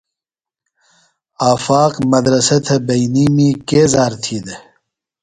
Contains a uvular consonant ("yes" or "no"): yes